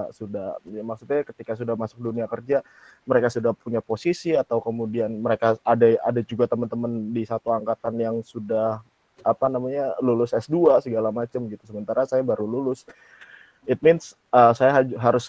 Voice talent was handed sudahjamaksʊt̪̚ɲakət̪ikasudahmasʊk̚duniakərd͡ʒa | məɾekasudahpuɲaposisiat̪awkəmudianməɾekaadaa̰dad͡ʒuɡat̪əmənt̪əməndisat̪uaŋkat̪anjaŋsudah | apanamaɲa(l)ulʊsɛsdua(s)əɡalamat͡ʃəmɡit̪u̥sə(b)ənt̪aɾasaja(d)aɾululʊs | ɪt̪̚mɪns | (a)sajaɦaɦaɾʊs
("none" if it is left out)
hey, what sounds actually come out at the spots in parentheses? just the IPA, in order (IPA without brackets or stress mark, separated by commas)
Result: l, s, m, b, ə